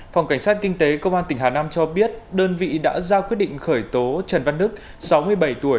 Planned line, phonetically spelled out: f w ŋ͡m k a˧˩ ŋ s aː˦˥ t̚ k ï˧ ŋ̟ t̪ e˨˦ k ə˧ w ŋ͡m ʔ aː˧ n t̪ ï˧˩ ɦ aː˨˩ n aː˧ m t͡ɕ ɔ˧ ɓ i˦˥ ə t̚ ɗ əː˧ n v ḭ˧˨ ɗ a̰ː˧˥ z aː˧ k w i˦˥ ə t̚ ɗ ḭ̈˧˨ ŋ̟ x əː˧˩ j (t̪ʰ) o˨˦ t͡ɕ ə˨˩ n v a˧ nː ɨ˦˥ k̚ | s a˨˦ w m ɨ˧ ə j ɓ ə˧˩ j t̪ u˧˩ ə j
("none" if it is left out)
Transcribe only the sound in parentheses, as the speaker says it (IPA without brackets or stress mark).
t̪